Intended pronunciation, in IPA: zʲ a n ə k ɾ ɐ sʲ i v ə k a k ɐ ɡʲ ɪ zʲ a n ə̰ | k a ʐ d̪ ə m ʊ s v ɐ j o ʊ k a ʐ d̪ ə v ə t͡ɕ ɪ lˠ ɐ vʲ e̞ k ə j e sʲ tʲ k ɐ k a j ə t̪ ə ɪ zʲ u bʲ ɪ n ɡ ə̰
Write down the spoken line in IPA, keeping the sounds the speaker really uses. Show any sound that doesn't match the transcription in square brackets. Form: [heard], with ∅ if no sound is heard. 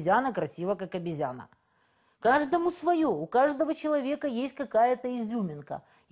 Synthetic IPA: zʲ a n ə k ɾ ɐ sʲ i v ə k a k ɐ [bʲ] ɪ zʲ a n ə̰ | k a ʐ d̪ ə m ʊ s v ɐ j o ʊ k a ʐ d̪ ə v ə t͡ɕ ɪ lˠ ɐ vʲ e̞ k ə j e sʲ tʲ k ɐ k a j ə t̪ ə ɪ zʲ u [mʲ] ɪ n [k] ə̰